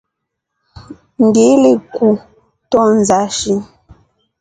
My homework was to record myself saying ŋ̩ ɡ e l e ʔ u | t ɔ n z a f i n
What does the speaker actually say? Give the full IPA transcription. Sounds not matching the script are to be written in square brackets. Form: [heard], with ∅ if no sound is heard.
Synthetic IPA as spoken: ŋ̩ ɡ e l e [k] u | t ɔ n z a [ʃ] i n